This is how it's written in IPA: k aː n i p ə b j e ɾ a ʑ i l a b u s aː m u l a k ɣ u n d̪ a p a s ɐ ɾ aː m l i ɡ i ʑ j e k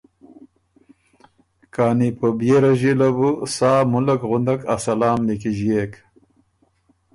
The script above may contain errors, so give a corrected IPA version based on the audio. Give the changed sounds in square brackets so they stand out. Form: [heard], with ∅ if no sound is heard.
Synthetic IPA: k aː n i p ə b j e ɾ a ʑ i l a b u s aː m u l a k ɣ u n d̪ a [k] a s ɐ [l] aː m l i [k] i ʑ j e k